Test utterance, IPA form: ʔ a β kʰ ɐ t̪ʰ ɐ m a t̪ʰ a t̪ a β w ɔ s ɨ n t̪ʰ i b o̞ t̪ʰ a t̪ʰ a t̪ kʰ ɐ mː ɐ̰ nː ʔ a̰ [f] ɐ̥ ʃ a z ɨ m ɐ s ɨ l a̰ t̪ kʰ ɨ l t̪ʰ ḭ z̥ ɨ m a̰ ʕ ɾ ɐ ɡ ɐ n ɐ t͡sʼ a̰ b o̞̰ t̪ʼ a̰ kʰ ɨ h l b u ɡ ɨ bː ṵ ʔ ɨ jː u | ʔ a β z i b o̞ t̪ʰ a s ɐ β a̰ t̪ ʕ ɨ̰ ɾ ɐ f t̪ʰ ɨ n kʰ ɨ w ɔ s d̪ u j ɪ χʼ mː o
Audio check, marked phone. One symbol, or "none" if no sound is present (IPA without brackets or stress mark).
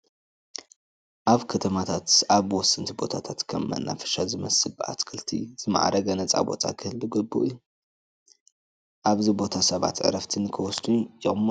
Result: f